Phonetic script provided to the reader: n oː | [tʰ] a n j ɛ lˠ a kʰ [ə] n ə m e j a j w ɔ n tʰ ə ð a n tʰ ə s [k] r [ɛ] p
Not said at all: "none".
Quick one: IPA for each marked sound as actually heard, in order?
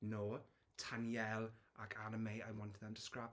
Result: tʰ, a, k, a

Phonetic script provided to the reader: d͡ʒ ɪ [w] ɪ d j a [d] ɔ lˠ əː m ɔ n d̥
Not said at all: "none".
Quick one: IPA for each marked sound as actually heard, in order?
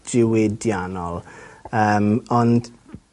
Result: w, n

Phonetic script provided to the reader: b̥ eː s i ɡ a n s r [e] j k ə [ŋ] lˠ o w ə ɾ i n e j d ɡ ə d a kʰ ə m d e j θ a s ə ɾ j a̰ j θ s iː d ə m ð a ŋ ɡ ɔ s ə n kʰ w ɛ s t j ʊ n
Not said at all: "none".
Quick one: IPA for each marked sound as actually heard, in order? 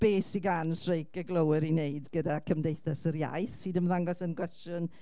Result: e, ɡ

